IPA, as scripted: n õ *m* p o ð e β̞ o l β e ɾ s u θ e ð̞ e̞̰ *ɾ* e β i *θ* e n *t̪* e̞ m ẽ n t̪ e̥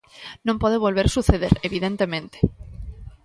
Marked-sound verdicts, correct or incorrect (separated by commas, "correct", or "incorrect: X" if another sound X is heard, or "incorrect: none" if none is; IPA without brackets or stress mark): correct, correct, incorrect: ð, correct